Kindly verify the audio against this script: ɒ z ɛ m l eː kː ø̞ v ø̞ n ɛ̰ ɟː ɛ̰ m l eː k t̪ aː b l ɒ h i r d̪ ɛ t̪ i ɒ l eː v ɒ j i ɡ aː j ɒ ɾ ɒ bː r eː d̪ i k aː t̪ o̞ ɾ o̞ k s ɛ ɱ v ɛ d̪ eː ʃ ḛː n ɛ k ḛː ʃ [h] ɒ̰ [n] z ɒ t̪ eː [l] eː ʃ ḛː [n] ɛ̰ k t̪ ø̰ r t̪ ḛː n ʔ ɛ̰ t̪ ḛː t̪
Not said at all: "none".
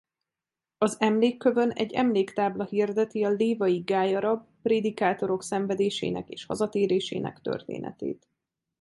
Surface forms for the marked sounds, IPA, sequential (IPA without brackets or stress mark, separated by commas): h, none, ɾ, n